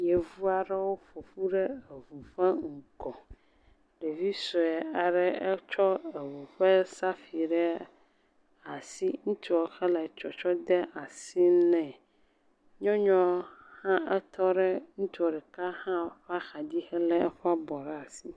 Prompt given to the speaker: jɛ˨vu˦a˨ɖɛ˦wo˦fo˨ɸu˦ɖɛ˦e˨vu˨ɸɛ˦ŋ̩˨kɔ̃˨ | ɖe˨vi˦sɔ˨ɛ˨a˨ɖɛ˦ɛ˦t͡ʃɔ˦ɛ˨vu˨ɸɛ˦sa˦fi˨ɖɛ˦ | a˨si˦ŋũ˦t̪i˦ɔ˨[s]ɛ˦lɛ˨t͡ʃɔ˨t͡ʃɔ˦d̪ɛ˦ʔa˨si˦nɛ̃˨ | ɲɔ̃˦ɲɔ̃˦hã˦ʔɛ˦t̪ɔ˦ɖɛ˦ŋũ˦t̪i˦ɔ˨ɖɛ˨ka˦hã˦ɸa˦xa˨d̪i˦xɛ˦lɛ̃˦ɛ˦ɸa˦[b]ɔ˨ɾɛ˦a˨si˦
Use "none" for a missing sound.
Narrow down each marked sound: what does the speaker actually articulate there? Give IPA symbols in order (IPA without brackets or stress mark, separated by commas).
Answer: x, b